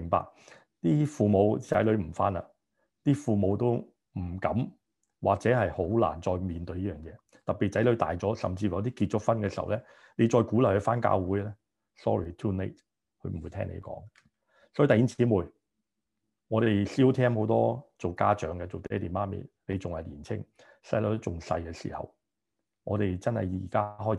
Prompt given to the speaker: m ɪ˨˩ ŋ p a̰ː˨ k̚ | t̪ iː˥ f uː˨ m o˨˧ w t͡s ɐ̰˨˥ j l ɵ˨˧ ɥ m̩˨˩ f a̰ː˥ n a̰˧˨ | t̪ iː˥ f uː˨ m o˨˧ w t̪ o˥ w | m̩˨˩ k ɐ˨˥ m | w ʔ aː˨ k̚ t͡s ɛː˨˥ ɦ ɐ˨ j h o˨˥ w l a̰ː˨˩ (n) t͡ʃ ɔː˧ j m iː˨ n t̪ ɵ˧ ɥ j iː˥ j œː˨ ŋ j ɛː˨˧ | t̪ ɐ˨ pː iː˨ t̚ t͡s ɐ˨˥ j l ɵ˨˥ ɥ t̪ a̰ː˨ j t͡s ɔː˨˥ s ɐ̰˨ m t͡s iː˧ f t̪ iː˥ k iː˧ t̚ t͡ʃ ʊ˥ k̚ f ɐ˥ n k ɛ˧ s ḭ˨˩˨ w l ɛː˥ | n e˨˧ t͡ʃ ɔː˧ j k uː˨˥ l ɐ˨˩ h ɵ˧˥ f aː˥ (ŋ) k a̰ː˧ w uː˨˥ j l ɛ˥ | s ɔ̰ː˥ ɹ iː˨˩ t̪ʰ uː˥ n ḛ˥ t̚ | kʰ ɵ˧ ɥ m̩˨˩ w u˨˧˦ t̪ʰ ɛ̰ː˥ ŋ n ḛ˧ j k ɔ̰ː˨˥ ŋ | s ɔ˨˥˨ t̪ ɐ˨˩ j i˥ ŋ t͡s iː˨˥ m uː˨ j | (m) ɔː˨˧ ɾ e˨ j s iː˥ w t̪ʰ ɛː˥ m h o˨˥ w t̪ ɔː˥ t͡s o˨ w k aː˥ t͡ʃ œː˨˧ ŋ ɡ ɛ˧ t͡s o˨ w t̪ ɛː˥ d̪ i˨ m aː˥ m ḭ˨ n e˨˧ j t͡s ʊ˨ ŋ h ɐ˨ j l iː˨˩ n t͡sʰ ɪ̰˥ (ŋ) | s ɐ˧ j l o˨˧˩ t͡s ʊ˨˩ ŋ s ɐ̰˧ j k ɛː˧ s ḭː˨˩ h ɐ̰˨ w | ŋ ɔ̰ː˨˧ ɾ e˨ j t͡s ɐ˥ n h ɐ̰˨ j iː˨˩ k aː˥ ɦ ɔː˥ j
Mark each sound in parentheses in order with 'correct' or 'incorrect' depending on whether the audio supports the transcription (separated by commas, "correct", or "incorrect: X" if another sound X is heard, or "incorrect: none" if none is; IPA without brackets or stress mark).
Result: correct, incorrect: n, incorrect: ŋ, correct